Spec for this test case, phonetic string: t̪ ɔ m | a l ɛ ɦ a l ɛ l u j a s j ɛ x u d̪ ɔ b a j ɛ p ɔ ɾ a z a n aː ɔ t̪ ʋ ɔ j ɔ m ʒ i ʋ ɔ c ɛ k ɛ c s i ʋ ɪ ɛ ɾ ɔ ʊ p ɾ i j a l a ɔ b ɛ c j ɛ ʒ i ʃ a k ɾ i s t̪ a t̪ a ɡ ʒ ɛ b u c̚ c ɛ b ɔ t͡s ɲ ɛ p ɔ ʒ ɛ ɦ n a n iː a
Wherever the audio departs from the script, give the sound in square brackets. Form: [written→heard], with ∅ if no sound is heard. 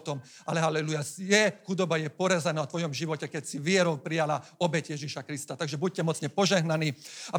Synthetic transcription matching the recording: t̪ ɔ m | a l ɛ ɦ a l ɛ l u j a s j ɛ x u d̪ ɔ b a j ɛ p ɔ ɾ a z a n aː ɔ t̪ ʋ ɔ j ɔ m ʒ i ʋ ɔ c ɛ k ɛ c s i ʋ ɪ ɛ ɾ ɔ ʊ p ɾ i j a l a ɔ b ɛ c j ɛ ʒ i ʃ a k ɾ i s t̪ a t̪ a ɡ ʒ ɛ b u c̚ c ɛ [b→m] ɔ t͡s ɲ ɛ p ɔ ʒ ɛ ɦ n a n iː a